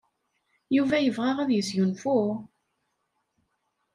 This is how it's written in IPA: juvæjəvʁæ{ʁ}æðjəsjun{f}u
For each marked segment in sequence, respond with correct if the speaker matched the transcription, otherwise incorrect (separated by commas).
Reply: correct, correct